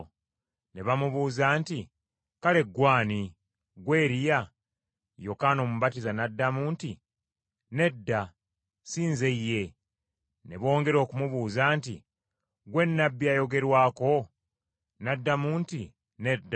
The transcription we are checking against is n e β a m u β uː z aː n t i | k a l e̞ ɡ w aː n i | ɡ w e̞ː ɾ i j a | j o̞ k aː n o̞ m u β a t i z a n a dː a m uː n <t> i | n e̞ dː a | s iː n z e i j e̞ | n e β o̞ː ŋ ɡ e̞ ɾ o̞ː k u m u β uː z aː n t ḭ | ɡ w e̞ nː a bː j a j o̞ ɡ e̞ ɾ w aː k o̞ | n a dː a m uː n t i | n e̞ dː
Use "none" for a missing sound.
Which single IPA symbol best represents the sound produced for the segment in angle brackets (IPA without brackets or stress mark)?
t